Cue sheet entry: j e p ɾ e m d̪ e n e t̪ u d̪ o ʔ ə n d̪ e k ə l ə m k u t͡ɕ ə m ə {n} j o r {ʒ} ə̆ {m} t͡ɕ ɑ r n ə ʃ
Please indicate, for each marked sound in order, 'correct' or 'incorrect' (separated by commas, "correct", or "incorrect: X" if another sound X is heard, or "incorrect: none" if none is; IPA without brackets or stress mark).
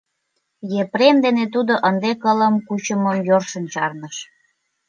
incorrect: m, incorrect: ʃ, incorrect: n